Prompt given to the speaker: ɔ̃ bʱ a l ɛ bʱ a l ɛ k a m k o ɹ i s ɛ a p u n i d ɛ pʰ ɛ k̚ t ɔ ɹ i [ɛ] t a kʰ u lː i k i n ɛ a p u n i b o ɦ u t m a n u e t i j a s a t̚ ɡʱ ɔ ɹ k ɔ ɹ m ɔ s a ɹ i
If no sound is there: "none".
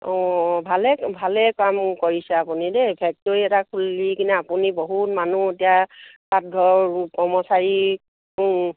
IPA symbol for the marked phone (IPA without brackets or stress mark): ɛ